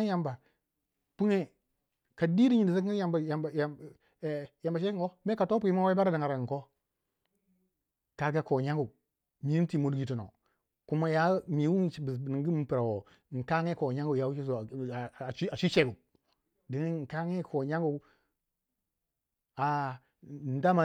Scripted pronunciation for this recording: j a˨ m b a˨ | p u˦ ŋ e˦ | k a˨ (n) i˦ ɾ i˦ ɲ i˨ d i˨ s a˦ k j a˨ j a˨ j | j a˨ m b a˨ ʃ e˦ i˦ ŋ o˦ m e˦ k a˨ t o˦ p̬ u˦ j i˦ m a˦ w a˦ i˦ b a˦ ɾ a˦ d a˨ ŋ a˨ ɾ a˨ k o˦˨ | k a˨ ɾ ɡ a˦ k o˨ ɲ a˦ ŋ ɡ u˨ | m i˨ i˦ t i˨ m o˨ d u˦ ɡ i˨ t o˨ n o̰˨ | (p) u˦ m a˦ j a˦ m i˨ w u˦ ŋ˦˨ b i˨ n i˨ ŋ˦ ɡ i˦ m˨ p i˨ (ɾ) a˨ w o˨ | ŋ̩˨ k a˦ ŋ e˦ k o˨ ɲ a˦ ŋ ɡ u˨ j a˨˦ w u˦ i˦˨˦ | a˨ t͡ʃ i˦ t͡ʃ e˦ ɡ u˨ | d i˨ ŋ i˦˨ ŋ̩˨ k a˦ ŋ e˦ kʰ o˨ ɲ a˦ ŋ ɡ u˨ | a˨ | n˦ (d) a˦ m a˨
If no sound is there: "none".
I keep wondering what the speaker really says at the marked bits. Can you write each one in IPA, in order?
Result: d, k, ɾ, d

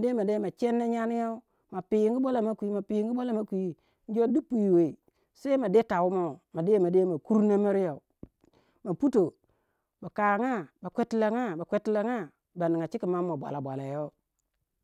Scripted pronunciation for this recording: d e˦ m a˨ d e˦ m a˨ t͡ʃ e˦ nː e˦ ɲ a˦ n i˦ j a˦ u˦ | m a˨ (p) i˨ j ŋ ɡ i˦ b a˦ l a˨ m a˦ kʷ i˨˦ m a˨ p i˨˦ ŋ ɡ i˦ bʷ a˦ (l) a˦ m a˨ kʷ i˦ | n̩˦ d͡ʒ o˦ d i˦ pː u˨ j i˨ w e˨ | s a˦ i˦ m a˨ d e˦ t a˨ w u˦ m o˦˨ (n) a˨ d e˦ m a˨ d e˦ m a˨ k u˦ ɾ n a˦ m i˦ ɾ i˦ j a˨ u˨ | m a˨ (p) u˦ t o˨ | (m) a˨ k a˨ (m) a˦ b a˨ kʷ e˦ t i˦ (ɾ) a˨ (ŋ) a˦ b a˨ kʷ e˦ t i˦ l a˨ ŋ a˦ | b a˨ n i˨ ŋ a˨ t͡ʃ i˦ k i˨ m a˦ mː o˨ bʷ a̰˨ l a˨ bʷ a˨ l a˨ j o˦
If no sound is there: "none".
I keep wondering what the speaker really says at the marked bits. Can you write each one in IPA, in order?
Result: p, l, m, p, b, ŋ, l, ŋ

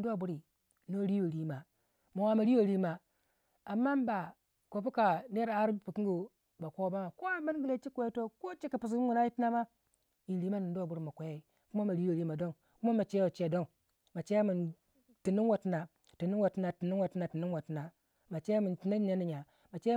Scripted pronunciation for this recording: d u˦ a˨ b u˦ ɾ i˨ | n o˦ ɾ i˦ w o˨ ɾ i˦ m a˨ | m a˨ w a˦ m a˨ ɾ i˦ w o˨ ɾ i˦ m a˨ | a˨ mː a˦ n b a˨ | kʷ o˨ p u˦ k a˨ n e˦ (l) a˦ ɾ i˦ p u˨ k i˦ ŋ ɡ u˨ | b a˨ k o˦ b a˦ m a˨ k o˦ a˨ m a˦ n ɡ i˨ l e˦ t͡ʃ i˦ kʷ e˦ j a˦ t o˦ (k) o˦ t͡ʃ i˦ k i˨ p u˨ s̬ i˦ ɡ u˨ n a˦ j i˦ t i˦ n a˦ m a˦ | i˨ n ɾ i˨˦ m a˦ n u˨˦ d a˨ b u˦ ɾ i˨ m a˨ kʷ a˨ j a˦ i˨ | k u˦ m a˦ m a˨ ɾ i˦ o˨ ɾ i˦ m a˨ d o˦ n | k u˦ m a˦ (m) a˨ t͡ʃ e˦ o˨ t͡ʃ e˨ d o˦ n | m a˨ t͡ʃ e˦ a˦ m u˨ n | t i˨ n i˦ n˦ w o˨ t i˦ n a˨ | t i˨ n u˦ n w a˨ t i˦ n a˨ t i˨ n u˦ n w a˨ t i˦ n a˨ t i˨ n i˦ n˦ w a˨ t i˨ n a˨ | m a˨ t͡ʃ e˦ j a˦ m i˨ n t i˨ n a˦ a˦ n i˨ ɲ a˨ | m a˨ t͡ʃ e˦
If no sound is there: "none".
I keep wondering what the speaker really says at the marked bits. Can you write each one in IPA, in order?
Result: ɾ, k, m

